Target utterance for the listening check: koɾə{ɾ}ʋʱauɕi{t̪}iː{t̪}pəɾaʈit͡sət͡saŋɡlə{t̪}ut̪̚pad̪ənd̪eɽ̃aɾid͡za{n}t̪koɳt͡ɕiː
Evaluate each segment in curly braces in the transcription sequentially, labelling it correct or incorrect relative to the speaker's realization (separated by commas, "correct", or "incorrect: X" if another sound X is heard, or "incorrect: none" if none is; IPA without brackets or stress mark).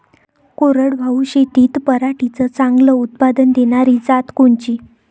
incorrect: ɽ, correct, correct, incorrect: none, incorrect: none